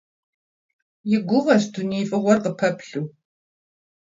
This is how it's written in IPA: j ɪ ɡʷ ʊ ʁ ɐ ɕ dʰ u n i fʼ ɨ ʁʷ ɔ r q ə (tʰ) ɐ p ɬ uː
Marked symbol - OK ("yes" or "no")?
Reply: no